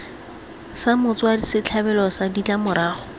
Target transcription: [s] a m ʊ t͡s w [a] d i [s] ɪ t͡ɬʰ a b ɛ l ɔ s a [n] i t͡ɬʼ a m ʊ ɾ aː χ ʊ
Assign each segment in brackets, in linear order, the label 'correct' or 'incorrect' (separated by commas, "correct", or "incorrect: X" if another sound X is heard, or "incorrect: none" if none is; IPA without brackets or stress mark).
correct, correct, correct, incorrect: d